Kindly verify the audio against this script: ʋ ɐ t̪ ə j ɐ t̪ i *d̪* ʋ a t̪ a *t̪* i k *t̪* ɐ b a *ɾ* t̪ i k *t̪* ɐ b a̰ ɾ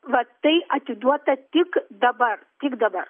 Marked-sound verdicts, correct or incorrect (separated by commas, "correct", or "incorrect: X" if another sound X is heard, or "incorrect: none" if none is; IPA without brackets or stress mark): correct, correct, incorrect: d̪, correct, incorrect: d̪